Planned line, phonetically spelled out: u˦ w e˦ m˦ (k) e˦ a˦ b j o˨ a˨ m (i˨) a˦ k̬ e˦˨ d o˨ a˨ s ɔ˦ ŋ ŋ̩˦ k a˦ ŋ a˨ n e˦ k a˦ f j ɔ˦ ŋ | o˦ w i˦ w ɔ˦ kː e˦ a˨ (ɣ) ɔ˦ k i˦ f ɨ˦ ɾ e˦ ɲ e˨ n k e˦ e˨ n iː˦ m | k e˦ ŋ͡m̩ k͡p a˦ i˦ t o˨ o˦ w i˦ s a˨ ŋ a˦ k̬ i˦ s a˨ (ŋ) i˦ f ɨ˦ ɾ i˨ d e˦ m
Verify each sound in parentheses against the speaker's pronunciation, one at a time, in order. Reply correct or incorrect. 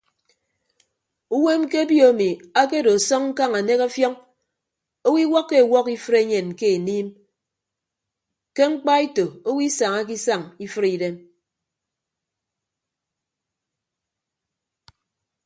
correct, correct, incorrect: w, correct

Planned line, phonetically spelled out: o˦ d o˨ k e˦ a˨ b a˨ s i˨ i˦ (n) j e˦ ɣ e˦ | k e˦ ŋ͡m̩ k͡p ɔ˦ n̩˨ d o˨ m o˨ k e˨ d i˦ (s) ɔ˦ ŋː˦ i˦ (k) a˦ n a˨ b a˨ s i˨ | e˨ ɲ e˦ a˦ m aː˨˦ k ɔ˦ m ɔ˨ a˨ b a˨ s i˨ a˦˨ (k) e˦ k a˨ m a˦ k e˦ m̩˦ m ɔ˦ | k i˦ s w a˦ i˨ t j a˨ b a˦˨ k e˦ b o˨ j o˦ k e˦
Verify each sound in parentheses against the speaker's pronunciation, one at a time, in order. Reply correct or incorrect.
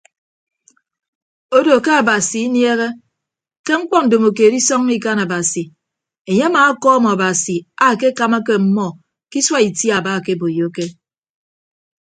correct, correct, correct, correct

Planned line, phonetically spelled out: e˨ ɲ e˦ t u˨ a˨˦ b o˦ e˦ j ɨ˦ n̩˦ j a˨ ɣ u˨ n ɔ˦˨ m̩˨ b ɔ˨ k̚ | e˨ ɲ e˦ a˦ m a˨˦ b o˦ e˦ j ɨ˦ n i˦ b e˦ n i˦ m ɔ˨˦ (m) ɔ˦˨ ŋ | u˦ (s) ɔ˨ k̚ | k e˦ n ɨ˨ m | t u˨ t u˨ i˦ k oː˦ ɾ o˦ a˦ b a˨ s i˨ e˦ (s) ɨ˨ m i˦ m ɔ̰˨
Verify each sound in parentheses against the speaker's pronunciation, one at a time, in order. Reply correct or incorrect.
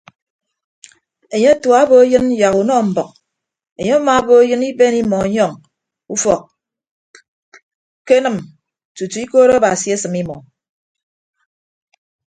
incorrect: ɲ, incorrect: f, correct

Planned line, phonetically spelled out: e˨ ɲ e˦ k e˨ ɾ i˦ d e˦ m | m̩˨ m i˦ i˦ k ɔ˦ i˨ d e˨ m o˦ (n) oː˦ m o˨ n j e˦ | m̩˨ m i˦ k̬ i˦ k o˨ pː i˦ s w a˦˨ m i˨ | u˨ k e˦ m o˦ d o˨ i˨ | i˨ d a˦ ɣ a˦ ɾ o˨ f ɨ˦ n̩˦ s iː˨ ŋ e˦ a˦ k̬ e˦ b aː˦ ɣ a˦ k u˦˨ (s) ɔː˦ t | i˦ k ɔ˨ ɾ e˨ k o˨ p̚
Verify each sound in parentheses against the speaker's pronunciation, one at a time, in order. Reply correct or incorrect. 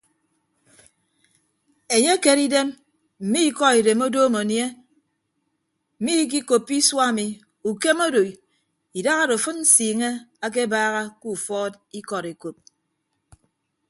incorrect: d, incorrect: f

